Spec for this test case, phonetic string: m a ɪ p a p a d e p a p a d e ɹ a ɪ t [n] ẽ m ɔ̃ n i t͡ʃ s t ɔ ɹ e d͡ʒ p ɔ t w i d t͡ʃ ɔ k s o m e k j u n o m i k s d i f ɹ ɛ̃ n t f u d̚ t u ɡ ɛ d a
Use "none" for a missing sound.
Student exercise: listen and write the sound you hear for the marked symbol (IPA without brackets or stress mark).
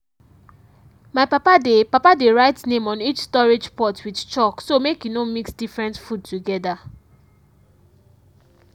n